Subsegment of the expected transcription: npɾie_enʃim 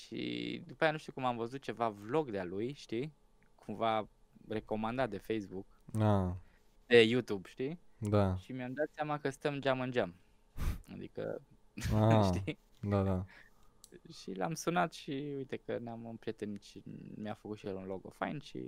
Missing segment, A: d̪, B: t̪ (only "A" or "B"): B